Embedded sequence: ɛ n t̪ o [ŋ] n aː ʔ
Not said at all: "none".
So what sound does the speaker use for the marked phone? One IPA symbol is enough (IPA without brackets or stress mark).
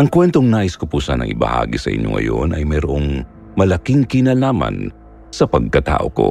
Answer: ŋ